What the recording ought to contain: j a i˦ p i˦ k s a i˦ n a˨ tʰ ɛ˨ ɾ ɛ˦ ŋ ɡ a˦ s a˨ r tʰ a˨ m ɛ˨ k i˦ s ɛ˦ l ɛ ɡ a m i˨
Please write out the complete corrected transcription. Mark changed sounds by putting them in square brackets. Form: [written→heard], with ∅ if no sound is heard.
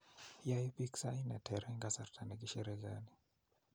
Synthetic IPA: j a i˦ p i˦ k s a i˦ n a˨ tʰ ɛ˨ ɾ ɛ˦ ŋ ɡ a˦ s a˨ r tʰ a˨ [m→n] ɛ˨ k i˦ [s→ʃ] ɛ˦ [l→ɾ] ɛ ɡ a [m→n] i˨

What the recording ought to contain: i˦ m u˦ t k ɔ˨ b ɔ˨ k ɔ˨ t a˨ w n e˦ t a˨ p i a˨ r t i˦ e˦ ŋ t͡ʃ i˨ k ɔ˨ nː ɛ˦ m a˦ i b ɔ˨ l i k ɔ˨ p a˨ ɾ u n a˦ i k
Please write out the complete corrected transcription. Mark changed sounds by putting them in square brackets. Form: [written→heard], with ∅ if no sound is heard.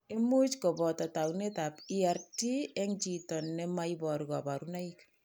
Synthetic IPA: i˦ m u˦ [t→t͡ʃ] k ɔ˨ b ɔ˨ [k→t] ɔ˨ t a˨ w n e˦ t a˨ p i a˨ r t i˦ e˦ ŋ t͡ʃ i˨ [k→t] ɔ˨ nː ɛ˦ m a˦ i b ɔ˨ [l→ɾ] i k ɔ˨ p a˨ ɾ u n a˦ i k

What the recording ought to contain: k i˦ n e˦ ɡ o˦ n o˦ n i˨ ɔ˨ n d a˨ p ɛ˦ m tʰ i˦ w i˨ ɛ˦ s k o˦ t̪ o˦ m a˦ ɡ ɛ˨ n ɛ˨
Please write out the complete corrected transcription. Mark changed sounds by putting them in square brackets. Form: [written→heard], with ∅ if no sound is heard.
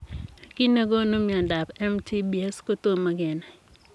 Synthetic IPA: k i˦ n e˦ ɡ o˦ n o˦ [n→m] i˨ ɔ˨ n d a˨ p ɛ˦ m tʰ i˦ [w→b] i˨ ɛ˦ s k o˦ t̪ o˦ m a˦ ɡ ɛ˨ n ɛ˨

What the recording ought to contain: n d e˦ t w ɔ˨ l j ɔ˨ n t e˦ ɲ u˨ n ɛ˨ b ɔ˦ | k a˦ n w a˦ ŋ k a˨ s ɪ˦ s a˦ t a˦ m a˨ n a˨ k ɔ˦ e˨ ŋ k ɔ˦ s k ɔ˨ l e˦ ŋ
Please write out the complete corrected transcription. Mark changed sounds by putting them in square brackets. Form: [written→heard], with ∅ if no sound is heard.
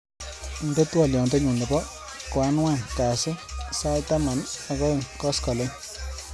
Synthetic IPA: n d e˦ t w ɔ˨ l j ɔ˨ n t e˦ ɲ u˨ n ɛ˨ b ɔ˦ | k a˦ n w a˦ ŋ k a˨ s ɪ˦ s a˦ t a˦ m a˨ n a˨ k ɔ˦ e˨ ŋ k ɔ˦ s k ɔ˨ l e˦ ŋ

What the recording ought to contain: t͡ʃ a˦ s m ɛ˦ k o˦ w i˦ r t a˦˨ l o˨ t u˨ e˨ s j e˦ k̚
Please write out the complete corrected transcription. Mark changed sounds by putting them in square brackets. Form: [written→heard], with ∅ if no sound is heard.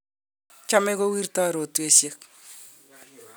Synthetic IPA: t͡ʃ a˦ [s→∅] m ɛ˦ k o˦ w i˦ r t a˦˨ [l→ɾ] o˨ t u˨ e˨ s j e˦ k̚

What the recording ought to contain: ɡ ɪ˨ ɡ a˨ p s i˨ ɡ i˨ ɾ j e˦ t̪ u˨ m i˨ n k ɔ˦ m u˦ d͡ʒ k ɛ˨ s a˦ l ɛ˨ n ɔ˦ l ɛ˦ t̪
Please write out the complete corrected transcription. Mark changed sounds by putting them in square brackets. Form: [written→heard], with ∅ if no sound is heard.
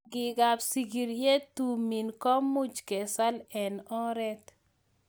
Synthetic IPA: ɡ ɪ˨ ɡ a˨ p s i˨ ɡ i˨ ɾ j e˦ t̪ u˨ m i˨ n k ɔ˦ m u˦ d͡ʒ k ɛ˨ s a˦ l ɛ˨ n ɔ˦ [l→ɾ] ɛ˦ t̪

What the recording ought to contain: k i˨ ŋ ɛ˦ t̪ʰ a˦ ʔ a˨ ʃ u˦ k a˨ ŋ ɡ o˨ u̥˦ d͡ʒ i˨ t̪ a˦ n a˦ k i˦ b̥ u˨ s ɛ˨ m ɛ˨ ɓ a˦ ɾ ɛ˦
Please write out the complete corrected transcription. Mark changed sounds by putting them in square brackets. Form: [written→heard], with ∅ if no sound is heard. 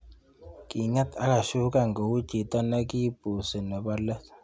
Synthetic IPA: k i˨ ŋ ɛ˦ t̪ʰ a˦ [ʔ→k] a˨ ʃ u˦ k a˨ ŋ ɡ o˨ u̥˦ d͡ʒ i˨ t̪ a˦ n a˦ k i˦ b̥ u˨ s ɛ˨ [m→n] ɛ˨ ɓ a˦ [ɾ→l] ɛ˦

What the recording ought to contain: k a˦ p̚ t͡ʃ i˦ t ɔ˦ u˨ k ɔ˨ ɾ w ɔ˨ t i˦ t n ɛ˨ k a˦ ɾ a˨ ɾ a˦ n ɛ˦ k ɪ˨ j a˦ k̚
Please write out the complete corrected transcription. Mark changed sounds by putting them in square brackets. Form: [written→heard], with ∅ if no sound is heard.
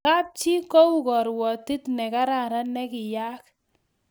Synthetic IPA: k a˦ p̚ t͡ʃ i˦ [t→k] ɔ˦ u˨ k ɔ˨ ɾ w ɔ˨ t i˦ t n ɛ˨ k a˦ ɾ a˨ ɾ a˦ n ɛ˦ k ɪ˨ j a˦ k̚

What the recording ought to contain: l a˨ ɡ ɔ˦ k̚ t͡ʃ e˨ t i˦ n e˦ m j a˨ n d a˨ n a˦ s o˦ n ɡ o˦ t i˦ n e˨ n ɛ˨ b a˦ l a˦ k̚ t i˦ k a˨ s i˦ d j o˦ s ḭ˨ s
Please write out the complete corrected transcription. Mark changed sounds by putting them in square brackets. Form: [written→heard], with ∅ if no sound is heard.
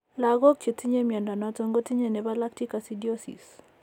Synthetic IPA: l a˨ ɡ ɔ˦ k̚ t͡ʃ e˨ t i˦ [n→ɲ] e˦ m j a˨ n d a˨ n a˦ [s→t] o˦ [n→ŋ] ɡ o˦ t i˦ [n→ɲ] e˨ n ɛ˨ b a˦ l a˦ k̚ t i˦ k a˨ s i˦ d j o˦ s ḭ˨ s

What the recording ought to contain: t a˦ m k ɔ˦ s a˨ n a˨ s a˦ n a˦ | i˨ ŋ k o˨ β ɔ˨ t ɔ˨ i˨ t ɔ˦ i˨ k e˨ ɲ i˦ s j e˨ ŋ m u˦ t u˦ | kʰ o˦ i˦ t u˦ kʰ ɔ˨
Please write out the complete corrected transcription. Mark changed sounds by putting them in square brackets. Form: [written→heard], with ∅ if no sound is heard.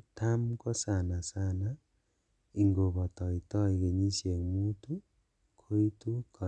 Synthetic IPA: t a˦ m k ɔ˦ s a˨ n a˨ s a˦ n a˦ | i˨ ŋ [k→ɡ] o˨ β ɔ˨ t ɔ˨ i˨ t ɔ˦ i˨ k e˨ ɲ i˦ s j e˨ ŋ m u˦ t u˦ | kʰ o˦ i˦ t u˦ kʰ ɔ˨

